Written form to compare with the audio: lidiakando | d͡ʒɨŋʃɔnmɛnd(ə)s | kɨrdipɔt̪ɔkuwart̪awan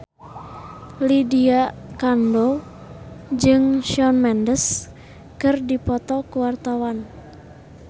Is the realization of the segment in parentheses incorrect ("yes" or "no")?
no